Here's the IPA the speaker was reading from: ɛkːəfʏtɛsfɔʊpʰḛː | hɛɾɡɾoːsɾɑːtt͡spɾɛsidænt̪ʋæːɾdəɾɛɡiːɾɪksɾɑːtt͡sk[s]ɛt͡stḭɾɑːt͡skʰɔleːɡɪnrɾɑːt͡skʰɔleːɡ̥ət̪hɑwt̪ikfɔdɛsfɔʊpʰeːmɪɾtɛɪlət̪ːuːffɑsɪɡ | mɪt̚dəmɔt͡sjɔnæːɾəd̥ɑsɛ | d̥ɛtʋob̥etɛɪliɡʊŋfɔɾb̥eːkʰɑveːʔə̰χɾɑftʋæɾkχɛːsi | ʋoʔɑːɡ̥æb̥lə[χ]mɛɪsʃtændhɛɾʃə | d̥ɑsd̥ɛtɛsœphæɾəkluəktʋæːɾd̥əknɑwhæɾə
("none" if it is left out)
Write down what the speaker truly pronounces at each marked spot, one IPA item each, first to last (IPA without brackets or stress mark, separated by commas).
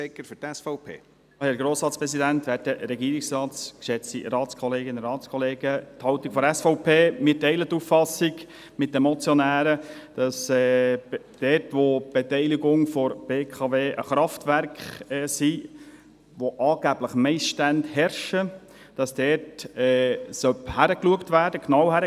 ʃ, χ